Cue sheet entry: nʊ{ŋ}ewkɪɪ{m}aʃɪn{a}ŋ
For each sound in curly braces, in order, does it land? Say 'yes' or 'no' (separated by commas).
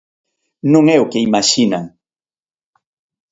yes, yes, yes